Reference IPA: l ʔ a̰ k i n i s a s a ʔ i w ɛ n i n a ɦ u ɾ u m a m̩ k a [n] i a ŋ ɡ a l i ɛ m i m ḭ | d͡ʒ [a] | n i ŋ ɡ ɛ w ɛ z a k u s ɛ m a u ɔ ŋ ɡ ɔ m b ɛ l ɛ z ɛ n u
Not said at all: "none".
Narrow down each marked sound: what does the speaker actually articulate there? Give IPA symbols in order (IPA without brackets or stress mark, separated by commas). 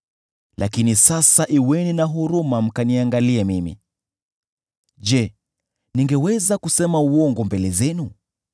n, ɛ